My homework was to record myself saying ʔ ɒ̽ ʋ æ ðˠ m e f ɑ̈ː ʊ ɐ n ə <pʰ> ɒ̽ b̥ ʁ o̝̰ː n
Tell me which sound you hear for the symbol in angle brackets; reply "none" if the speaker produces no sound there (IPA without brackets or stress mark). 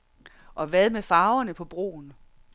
pʰ